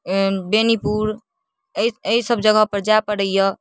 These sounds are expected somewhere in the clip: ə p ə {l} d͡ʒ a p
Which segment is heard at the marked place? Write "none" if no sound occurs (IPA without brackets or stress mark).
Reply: ɾ